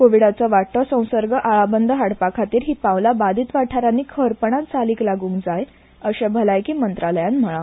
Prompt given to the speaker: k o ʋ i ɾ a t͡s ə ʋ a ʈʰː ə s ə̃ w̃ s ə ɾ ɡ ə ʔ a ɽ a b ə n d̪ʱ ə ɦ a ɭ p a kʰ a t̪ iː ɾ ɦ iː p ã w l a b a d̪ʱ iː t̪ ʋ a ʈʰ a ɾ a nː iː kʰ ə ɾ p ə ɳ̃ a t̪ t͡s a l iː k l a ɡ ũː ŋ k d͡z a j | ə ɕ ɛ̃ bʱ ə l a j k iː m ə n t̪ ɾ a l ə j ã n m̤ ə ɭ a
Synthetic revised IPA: k o ʋ i ɽ a t͡s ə ʋ a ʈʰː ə s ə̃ w̃ s ə ɾ ɡ ə ʔ a ɭ a b ə n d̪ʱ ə ɦ a ɽ p a kʰ a t̪ iː ɾ ɦ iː p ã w l a b a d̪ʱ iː t̪ ʋ a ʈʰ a ɾ a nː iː kʰ ə ɾ p ə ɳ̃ a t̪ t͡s a l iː k l a ɡ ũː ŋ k d͡z a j | ə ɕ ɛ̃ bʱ ə l a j k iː m ə n t̪ ɾ a l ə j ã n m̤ ə ɭ a